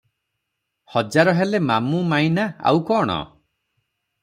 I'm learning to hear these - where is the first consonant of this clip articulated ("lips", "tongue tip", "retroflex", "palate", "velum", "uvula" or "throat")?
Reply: throat